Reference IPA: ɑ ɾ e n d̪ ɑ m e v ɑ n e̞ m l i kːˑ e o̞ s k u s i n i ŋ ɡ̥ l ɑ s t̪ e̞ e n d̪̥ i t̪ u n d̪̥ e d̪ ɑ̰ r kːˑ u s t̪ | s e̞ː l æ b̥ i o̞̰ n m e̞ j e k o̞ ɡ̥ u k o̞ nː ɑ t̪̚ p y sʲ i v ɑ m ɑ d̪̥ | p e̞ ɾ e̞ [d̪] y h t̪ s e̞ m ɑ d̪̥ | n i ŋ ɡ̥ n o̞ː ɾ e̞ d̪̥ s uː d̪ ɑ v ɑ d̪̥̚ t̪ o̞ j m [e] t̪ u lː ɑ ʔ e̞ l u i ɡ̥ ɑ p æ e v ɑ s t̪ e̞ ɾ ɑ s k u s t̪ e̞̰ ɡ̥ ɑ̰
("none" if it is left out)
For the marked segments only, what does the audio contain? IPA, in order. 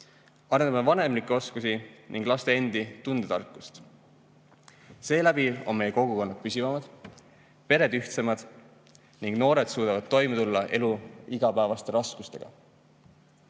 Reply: d̪, e

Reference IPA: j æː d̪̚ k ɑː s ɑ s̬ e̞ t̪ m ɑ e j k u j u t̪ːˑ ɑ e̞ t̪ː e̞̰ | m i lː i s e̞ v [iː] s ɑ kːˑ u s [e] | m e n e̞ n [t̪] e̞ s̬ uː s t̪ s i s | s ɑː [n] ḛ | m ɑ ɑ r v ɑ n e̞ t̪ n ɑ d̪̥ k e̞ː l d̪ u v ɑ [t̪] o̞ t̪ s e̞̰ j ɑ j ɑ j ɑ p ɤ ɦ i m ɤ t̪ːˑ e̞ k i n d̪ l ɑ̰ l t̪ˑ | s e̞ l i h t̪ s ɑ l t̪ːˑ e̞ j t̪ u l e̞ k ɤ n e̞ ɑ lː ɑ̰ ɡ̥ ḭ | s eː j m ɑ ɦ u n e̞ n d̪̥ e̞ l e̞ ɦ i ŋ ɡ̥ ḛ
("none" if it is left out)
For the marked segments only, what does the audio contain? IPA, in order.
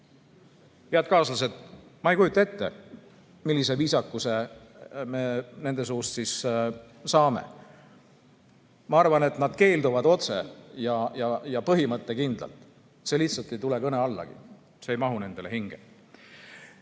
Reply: iː, e, d̪, m, d̪

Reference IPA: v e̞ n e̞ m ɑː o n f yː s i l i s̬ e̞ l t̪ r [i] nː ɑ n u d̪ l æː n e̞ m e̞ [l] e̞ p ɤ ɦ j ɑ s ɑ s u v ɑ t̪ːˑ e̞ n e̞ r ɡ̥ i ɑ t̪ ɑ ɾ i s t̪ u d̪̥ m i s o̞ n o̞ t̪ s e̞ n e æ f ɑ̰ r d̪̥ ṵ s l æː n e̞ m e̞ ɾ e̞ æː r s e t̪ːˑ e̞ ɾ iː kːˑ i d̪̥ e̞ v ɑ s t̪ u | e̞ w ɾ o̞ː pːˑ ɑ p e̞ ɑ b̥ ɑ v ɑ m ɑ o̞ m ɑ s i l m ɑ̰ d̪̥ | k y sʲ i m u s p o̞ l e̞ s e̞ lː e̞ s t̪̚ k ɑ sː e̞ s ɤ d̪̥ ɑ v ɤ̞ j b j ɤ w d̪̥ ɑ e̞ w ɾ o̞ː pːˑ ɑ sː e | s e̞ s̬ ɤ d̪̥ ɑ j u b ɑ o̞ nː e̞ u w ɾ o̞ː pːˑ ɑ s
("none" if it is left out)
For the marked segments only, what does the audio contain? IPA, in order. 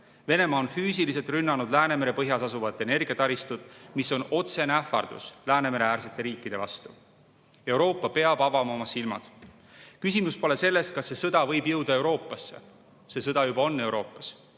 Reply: y, ɾ

